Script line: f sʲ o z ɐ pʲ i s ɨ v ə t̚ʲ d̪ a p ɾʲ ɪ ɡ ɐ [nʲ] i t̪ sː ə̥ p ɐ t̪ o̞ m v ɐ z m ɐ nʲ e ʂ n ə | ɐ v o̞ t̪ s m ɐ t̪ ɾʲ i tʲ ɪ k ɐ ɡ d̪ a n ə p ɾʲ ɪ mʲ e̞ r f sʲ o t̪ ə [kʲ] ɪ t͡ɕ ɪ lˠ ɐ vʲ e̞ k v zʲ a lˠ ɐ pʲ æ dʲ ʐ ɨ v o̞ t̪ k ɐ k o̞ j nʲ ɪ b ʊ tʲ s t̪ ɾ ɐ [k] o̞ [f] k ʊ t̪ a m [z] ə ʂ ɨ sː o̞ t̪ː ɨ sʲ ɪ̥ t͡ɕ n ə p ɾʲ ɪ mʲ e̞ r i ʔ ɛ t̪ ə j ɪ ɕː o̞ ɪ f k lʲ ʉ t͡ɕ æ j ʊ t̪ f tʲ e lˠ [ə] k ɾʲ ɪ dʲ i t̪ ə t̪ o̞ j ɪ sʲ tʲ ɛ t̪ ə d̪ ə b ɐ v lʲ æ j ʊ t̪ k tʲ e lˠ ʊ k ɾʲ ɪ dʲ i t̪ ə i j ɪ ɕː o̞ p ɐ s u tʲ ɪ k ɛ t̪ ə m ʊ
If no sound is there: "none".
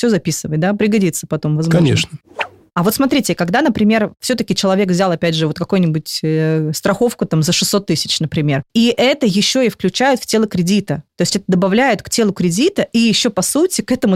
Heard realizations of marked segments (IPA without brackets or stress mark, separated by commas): dʲ, kʲ, x, f, z, ə